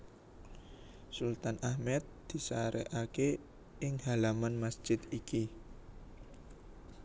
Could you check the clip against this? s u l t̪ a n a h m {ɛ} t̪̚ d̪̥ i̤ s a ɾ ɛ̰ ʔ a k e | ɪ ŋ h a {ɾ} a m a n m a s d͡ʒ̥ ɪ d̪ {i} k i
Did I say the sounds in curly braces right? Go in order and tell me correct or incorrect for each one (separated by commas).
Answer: correct, incorrect, correct